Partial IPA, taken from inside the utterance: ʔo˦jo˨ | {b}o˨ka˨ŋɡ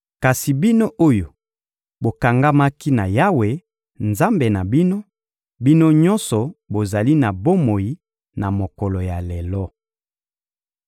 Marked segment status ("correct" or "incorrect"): correct